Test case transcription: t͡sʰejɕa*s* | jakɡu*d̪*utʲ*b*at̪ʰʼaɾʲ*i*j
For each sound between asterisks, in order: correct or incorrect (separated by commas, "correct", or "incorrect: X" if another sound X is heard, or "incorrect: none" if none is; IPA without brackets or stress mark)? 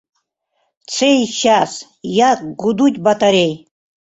correct, correct, correct, incorrect: e